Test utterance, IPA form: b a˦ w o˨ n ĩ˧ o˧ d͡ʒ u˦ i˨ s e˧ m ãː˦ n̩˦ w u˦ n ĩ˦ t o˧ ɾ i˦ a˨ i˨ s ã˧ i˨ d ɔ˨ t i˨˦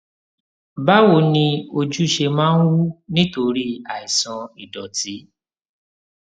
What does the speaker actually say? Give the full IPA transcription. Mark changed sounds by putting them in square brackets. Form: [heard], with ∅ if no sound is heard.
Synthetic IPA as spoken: b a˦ w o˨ n ĩ˧ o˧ d͡ʒ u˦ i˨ [ʃ] e˧ m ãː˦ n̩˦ w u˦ n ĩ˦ t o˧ ɾ i˦ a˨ i˨ s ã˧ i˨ d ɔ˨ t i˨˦